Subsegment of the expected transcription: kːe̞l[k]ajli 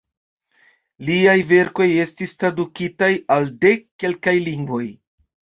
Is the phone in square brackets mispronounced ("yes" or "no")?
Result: no